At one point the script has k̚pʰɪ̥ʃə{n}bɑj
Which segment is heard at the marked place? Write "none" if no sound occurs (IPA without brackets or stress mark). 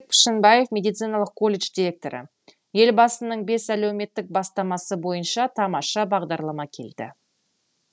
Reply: n